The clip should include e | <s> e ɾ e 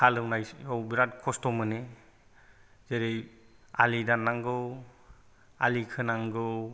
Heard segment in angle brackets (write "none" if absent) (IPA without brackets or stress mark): z